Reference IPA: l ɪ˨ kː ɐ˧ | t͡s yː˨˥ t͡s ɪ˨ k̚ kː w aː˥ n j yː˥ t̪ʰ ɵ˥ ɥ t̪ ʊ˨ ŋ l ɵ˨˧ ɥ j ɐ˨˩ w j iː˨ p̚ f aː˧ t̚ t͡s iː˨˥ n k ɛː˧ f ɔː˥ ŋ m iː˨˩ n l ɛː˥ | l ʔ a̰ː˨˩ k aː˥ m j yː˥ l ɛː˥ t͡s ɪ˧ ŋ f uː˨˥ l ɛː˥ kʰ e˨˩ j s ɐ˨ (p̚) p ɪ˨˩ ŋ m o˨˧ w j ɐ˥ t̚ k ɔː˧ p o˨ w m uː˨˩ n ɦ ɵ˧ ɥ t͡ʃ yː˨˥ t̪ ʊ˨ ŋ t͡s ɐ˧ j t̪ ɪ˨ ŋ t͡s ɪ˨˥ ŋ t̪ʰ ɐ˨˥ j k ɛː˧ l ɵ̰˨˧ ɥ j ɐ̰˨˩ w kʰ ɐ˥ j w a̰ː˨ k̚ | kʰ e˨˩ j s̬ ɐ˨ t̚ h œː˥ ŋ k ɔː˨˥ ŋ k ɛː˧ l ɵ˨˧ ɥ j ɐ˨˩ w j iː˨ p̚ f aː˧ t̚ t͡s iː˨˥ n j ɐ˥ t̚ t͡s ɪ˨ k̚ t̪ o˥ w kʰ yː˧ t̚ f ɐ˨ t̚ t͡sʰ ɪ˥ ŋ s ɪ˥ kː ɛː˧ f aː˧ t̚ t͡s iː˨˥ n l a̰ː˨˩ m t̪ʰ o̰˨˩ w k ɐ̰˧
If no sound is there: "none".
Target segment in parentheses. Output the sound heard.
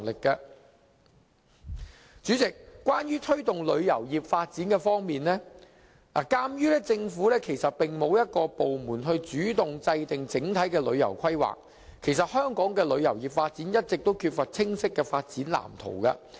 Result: t̚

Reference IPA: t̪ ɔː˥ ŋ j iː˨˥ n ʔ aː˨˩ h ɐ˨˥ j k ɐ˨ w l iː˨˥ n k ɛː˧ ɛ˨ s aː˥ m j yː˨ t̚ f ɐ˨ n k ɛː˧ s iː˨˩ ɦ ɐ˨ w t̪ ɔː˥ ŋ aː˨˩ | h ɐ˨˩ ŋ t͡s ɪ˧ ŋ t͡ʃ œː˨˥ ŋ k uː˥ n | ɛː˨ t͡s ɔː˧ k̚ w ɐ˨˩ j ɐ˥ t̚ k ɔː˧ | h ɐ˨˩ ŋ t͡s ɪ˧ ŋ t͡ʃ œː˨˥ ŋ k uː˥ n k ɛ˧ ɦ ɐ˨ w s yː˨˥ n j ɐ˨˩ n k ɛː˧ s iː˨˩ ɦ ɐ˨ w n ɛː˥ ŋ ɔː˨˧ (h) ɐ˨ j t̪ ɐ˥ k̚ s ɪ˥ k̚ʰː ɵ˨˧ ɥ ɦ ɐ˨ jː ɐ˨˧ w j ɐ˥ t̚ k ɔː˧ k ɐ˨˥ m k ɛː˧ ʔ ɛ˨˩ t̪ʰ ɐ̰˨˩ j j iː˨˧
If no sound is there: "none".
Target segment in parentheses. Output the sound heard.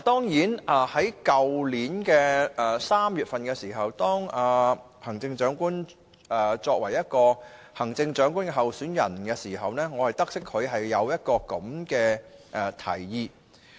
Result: h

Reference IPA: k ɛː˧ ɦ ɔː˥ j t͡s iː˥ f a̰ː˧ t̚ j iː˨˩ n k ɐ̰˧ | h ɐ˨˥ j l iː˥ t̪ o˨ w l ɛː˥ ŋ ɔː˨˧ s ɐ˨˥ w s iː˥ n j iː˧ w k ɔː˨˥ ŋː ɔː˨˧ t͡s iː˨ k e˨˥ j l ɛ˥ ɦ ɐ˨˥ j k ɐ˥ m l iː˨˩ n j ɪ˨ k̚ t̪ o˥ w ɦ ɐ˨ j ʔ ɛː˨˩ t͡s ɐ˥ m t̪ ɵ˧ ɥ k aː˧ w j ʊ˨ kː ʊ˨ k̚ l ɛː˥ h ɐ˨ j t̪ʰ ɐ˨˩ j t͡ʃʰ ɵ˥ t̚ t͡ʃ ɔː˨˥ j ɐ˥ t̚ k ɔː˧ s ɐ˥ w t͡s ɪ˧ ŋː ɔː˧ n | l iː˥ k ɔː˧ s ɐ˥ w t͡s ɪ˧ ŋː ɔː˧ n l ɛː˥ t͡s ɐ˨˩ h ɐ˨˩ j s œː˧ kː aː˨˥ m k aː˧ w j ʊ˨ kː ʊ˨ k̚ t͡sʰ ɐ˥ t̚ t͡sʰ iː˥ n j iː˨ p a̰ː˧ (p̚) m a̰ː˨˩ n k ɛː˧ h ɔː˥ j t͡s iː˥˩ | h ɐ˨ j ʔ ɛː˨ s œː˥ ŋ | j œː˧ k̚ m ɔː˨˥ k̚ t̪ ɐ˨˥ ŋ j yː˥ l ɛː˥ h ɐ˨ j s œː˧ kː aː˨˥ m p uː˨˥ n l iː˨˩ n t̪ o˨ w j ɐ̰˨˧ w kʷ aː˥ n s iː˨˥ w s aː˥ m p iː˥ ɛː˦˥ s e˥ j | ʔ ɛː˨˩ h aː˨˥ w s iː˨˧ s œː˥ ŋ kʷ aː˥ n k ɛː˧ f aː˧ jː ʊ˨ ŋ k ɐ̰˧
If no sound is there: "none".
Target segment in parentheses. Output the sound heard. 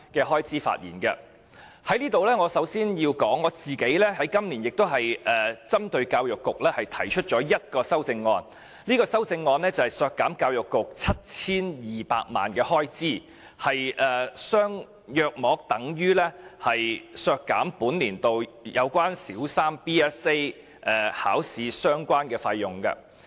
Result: k̚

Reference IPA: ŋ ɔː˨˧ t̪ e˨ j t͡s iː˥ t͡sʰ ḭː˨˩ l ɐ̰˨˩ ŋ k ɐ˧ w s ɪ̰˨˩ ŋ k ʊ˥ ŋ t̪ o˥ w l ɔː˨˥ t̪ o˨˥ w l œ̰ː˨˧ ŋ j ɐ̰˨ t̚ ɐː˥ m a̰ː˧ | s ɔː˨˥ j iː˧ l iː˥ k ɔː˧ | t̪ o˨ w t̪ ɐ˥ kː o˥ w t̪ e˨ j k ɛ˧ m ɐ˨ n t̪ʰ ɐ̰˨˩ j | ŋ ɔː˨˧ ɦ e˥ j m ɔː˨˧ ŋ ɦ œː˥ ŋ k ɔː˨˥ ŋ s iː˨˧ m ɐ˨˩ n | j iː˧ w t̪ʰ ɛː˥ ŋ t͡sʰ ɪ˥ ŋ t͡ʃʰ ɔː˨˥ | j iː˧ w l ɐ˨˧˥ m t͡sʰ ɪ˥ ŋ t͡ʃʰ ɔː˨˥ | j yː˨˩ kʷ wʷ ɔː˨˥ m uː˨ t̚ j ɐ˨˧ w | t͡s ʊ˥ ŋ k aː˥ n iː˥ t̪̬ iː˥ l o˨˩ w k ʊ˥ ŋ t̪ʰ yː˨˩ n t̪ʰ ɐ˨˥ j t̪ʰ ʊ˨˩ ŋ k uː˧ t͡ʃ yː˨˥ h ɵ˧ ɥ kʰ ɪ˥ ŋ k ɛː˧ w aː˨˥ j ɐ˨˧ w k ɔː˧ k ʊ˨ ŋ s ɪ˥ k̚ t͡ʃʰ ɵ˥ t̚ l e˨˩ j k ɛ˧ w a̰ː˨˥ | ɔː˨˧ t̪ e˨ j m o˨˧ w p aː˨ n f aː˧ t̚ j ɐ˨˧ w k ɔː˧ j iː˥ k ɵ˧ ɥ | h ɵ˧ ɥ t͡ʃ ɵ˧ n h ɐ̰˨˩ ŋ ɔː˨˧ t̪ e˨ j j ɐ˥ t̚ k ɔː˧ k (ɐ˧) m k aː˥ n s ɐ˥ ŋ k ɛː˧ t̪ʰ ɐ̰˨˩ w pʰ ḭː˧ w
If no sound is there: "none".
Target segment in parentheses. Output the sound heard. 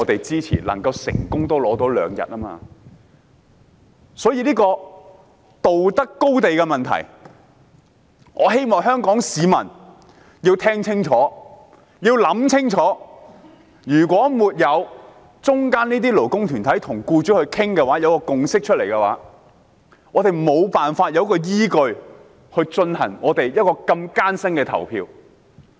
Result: ɐ˧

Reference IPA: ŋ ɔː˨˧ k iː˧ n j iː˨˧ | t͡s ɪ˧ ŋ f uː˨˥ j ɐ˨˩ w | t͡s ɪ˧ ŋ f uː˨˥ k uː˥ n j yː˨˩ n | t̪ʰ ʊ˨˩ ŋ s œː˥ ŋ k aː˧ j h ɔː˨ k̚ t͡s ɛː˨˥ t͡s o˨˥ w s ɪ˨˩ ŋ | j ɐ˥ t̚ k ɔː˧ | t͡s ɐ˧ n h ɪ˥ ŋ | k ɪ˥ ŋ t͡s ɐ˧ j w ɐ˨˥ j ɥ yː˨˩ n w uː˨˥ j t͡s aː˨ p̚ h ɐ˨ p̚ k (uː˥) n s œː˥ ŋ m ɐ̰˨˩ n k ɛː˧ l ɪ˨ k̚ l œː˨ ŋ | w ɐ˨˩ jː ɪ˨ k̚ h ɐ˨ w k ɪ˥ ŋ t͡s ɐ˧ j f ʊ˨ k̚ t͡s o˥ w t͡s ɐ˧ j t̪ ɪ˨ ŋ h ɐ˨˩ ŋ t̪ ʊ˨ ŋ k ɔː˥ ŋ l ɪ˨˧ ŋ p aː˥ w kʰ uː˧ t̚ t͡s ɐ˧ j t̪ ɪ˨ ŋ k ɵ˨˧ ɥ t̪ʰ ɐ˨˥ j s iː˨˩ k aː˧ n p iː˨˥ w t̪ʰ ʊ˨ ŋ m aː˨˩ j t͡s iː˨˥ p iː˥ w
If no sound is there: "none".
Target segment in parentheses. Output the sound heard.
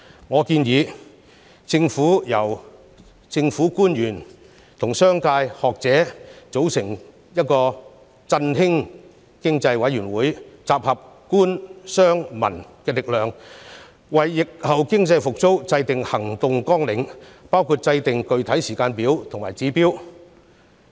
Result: uː˥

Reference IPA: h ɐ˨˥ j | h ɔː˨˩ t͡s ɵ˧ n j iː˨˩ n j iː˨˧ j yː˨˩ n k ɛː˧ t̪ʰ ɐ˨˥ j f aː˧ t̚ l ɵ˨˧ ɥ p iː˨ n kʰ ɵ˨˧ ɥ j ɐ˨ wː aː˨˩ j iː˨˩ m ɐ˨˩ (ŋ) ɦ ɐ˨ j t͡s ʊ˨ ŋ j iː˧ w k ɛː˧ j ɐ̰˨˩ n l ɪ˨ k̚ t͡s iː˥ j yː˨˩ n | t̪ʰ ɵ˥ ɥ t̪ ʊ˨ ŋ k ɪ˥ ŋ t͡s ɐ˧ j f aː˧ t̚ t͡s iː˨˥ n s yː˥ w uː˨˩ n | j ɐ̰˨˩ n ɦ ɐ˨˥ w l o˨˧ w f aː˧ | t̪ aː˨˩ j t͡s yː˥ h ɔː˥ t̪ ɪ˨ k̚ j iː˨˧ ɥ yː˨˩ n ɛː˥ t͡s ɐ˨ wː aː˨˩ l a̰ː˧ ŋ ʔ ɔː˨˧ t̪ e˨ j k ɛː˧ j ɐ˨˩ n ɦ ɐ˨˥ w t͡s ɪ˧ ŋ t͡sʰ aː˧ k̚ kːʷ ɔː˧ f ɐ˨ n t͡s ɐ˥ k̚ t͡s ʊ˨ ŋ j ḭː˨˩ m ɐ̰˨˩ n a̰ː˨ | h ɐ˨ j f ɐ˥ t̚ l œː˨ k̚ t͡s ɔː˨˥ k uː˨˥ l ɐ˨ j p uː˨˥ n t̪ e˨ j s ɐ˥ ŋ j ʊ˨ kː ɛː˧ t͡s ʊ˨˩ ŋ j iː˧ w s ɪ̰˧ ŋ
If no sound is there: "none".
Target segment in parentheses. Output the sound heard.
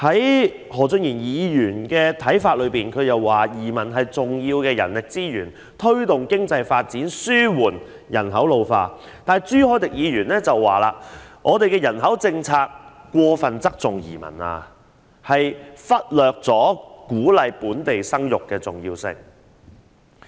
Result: n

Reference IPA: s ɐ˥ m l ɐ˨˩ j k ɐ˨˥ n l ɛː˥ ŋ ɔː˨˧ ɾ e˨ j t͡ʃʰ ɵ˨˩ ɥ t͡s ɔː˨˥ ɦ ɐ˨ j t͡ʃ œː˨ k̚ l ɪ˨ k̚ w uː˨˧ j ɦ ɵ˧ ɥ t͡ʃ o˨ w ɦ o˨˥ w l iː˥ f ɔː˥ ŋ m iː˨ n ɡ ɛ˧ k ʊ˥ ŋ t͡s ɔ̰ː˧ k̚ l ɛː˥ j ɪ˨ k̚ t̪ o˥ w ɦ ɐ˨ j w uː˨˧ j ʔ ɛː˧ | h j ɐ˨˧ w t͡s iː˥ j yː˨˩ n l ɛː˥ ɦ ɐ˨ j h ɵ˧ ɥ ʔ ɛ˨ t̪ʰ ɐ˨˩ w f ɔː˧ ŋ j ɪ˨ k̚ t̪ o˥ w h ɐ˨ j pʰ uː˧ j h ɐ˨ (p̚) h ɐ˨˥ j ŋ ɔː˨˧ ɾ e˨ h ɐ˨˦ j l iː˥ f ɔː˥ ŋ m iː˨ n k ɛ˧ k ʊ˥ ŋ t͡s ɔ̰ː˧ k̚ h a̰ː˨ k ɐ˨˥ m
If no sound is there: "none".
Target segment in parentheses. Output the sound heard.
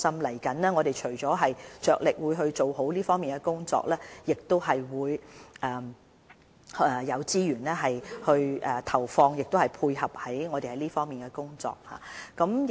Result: p̚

